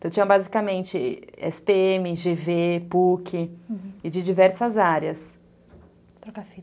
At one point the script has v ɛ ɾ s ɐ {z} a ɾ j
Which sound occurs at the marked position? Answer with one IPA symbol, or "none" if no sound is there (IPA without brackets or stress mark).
z